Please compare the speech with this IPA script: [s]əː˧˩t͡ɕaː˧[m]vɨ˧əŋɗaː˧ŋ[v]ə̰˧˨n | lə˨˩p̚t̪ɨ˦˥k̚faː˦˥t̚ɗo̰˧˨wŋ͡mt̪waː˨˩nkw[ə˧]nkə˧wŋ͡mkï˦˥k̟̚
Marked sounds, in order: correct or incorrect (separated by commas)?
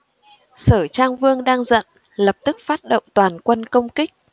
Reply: correct, incorrect, incorrect, correct